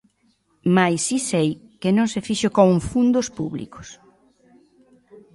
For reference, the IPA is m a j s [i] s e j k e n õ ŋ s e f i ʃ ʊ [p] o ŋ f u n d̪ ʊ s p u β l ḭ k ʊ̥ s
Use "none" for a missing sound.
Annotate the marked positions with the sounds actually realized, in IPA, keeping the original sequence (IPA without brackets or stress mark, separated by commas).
i, k